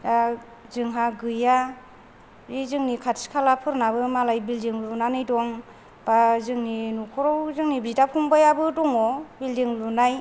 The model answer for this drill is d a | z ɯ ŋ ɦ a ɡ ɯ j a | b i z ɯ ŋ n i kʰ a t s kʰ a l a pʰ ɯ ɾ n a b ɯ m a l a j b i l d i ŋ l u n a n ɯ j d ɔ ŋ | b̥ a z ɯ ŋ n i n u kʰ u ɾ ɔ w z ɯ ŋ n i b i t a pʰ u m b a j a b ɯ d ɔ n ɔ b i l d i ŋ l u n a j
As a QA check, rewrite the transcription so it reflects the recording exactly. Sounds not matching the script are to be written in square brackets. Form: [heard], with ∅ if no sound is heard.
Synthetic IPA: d a | z ɯ ŋ ɦ a ɡ ɯ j a | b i z ɯ ŋ n i kʰ a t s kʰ a l a pʰ ɯ ɾ n a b ɯ m a l a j b i l d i ŋ l u n a n ɯ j d ɔ ŋ | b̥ a z ɯ ŋ n i n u kʰ [ɔ] ɾ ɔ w z ɯ ŋ n i b i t a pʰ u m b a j a b ɯ d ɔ [ŋ] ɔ b i l d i ŋ l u n a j